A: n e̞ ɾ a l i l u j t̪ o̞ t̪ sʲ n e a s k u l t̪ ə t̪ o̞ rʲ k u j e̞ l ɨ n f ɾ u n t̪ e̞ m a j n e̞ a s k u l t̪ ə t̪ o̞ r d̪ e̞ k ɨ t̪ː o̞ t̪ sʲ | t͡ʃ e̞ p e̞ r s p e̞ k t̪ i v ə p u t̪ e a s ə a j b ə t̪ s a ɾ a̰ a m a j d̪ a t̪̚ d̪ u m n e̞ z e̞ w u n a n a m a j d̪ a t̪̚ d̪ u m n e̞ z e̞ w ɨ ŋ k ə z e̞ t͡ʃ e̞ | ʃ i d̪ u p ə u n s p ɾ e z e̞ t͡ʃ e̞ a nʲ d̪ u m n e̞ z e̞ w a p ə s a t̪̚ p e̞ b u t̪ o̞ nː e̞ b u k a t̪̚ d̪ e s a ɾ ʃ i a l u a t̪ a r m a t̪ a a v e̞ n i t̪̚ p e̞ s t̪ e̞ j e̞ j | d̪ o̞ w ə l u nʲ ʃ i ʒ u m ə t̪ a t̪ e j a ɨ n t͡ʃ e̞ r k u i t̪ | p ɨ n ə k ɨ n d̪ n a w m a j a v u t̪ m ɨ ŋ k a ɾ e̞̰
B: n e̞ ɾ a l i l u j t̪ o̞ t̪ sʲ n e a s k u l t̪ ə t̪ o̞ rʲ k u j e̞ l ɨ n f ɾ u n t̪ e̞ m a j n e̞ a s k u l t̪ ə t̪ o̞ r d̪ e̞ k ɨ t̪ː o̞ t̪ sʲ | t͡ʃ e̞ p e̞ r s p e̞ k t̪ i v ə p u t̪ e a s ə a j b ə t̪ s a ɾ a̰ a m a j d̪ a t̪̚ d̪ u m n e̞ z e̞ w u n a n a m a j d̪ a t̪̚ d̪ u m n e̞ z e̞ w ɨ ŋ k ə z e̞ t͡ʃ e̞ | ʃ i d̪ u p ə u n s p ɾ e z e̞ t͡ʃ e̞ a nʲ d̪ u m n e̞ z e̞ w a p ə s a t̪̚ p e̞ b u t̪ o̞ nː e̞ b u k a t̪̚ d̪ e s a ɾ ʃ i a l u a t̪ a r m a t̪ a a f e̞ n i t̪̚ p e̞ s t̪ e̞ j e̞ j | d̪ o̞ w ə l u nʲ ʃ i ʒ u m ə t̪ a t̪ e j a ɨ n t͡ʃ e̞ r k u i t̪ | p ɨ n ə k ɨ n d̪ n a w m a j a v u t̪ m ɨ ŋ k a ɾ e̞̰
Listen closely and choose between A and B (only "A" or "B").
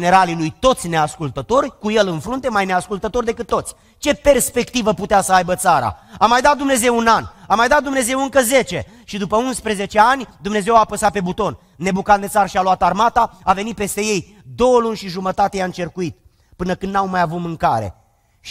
A